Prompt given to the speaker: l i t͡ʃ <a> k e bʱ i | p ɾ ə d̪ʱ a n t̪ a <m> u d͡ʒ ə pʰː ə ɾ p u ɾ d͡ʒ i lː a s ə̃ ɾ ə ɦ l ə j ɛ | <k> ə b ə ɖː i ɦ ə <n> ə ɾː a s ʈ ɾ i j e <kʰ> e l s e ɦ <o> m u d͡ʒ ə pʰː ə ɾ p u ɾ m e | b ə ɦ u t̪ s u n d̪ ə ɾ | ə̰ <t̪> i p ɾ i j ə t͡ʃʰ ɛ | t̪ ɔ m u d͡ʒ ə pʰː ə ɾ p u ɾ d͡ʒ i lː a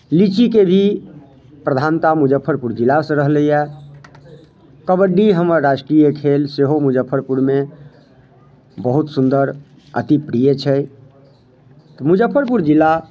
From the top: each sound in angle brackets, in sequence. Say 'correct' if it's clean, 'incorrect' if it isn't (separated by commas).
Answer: incorrect, correct, correct, incorrect, correct, correct, correct